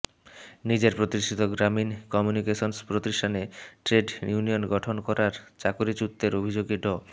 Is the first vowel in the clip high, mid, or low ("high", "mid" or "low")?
high